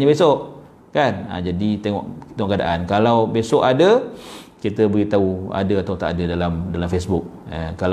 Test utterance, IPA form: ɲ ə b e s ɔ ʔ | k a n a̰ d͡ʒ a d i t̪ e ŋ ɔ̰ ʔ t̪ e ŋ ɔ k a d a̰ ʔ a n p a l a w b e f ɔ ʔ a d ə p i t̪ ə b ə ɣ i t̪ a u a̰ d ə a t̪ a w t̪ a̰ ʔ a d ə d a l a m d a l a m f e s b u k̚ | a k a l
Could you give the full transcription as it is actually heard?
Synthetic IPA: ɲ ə b e s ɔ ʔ | k a n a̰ d͡ʒ a d i t̪ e ŋ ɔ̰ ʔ t̪ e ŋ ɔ k a d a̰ ʔ a n k a l a w b e s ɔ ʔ a d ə k i t̪ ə b ə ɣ i t̪ a u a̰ d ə a t̪ a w t̪ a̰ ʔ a d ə d a l a m d a l a m f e s b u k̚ | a k a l